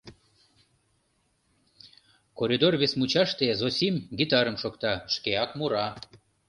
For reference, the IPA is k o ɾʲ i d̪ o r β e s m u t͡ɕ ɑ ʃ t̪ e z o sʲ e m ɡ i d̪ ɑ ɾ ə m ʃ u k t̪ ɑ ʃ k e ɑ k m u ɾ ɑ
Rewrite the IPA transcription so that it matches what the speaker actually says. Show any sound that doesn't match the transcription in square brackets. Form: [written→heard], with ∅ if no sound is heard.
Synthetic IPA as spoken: k o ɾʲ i d̪ o r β e s m u t͡ɕ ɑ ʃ t̪ e z o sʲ [e→i] m ɡ i [d̪→t̪] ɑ ɾ ə m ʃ [u→o] k t̪ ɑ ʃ k e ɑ k m u ɾ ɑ